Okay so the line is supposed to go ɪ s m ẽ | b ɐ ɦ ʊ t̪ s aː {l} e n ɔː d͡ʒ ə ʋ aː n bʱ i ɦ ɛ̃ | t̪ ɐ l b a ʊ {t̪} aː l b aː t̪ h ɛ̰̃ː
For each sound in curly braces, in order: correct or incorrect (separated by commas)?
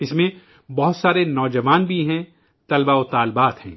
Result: incorrect, correct